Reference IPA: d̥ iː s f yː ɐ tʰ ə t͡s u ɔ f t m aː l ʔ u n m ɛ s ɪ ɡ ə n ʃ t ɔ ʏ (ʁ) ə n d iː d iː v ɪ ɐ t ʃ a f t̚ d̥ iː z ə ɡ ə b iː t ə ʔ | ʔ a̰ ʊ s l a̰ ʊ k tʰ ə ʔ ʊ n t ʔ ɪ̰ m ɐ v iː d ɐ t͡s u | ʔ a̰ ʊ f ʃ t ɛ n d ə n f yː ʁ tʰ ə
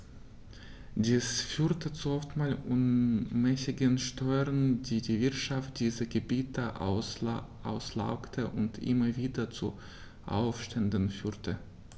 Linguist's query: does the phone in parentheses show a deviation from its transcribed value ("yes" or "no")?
no